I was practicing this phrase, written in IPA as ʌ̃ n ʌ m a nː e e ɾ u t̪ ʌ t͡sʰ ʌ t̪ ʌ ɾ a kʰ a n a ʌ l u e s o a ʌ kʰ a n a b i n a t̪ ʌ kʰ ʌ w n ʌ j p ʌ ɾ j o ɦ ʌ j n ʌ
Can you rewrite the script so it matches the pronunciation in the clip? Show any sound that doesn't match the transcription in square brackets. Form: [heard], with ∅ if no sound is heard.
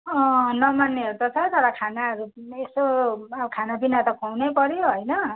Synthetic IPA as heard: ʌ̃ n ʌ m a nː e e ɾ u t̪ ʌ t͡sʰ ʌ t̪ ʌ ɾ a kʰ a n a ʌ [ɾ] u e s o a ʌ kʰ a n a b i n a t̪ ʌ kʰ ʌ w n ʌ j p ʌ ɾ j o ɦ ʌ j n ʌ